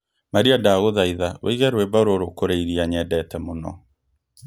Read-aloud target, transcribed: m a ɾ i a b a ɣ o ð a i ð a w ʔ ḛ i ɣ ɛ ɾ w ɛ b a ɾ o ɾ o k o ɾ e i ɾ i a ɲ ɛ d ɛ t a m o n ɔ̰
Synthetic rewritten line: m a ɾ i a d a ɣ o ð a i ð a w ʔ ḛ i ɣ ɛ ɾ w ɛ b a ɾ o ɾ o k o ɾ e i ɾ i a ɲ ɛ d ɛ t ɛ m o n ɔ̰